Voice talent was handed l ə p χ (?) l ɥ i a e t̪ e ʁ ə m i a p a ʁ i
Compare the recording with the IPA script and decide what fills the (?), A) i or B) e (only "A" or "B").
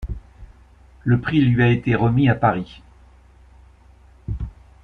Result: A